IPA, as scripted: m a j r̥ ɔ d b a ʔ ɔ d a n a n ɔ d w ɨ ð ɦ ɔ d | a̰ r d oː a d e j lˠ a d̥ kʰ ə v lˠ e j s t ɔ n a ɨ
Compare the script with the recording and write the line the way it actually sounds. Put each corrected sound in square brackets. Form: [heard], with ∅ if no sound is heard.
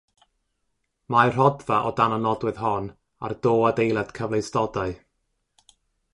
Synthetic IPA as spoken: m a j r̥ ɔ d [v] a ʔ ɔ d a n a n ɔ d w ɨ ð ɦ ɔ [n] | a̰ r d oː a d e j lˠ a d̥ kʰ ə v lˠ e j s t ɔ [d] a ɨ